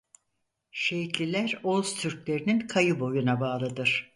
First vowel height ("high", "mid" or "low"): mid